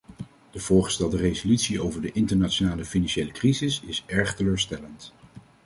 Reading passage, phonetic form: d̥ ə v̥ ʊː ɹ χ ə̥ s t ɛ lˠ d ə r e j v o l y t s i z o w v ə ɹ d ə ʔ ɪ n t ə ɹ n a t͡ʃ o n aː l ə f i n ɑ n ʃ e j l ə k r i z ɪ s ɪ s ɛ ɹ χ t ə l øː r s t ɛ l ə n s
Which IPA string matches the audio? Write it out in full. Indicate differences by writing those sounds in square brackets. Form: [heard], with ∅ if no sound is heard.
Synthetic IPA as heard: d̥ ə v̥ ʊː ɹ χ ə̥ s t ɛ lˠ d ə r e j [z] o l y t s i [∅] o w v ə ɹ d ə ʔ ɪ n t ə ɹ n a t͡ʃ o n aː l ə f i n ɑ n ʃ e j l ə k r i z ɪ s ɪ s ɛ ɹ χ t ə l øː [ɹ] s t ɛ l ə n [t]